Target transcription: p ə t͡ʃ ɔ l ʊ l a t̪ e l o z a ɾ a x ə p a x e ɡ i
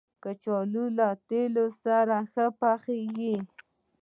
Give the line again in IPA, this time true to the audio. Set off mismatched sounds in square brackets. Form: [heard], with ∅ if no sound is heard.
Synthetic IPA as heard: [k] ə t͡ʃ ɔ l [u] l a t̪ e l o [s] a ɾ a x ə p a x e ɡ i